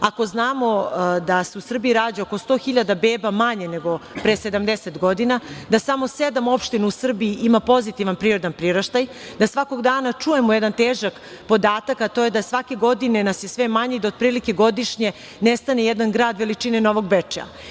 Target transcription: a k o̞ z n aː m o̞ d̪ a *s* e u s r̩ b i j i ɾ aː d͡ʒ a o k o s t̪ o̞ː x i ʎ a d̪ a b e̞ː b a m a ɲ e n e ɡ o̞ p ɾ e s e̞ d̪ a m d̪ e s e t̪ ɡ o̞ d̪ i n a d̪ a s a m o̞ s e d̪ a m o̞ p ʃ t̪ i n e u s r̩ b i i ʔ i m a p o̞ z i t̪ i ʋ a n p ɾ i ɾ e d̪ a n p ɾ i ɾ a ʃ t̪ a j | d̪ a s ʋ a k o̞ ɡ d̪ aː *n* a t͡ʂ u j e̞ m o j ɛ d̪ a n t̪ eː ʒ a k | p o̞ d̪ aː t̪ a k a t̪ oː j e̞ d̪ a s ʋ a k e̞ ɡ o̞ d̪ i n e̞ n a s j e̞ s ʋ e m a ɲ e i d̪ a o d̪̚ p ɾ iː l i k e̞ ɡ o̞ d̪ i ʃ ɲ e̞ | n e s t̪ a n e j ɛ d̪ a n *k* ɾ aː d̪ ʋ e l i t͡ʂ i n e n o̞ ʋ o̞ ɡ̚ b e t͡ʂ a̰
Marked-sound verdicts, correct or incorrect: correct, correct, incorrect: ɡ

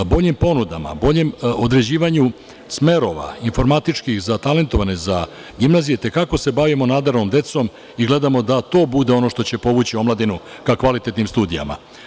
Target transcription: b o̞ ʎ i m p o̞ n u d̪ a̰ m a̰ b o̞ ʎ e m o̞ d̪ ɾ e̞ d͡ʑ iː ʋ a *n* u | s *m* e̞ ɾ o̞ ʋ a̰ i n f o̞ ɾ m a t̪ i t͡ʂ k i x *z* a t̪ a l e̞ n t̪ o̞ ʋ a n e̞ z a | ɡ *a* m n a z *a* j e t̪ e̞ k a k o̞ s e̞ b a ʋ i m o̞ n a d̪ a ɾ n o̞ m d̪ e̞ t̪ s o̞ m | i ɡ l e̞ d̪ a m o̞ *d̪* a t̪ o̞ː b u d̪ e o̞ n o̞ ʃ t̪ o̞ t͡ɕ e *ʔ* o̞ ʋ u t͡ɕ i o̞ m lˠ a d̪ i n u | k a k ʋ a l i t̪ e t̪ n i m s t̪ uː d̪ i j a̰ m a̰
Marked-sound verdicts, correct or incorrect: incorrect: ɲ, correct, correct, incorrect: i, incorrect: i, correct, incorrect: p

